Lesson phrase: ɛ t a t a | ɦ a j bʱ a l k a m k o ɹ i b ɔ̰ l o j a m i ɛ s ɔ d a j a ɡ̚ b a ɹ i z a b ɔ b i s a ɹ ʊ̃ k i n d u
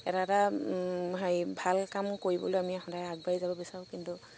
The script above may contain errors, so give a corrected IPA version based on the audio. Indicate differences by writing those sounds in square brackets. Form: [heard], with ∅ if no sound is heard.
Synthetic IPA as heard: ɛ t a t a | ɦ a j bʱ a l k a m k o ɹ i b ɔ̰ l o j a m i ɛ [x] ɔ d a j a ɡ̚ b a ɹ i z a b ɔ b i s a ɹ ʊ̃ k i n [t] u